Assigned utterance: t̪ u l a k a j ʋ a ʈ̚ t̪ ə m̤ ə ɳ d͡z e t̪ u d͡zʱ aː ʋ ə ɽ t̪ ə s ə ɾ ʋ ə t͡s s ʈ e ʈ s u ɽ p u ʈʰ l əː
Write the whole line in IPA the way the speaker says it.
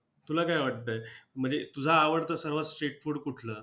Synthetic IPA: t̪ u l a k a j ʋ a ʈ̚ t̪ ə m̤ ə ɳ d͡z e t̪ u d͡zʱ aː ʋ ə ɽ t̪ ə s ə ɾ ʋ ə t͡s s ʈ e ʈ f u ɽ k u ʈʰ l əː